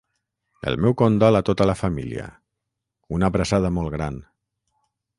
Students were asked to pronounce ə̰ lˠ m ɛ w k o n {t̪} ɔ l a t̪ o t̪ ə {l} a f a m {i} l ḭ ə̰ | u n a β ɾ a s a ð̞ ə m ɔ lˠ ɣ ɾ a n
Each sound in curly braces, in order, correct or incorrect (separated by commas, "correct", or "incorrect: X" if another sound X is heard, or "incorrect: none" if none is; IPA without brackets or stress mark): incorrect: d̪, correct, correct